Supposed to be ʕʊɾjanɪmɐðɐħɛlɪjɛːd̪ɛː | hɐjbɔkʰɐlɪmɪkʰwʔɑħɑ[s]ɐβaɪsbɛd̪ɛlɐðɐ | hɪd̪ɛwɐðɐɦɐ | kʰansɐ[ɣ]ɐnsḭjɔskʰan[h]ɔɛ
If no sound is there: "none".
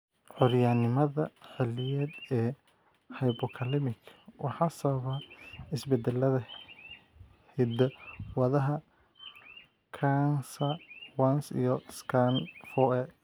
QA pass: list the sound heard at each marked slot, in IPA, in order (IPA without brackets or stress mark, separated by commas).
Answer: s, w, f